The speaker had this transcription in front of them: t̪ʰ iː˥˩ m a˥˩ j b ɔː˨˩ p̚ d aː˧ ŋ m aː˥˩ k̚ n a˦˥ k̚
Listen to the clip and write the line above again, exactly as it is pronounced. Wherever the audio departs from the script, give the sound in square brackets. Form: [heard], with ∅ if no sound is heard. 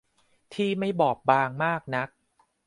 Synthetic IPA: t̪ʰ iː˥˩ m a˥˩ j b ɔː˨˩ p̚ [b] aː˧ ŋ m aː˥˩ k̚ n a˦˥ k̚